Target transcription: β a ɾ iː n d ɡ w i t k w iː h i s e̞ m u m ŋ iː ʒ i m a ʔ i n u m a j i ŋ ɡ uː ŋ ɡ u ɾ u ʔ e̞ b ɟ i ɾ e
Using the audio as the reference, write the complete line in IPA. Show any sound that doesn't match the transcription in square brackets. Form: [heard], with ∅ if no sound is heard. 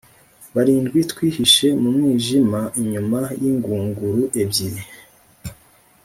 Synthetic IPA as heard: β a ɾ iː n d ɡ w i t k w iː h i [ʃ] e̞ m u m ŋ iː ʒ i m a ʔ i [ɲ] u m a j i ŋ ɡ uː ŋ ɡ u ɾ u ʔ e̞ b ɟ i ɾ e